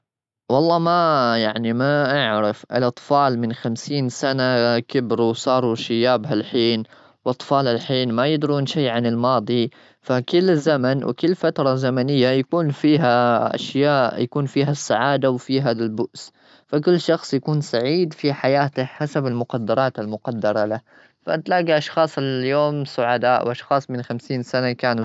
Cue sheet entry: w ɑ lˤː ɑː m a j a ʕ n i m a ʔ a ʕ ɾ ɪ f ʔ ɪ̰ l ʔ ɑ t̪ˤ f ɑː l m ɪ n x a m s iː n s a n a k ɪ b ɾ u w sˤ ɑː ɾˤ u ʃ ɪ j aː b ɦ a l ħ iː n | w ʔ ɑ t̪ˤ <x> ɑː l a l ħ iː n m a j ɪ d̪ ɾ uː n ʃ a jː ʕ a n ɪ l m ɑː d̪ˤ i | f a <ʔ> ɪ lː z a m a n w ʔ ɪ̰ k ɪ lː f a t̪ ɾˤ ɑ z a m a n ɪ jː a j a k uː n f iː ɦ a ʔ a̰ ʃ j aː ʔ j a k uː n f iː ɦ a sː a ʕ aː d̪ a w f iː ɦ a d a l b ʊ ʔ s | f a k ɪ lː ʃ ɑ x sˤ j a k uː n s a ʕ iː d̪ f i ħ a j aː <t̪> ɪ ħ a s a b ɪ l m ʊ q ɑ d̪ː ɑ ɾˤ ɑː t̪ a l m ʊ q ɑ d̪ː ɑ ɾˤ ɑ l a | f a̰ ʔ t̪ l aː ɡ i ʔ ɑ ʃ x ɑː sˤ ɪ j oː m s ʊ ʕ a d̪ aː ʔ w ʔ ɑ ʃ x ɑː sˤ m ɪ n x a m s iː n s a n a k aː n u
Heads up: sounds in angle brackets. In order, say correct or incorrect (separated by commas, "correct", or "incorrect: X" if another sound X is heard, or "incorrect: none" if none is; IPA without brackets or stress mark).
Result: incorrect: f, incorrect: k, correct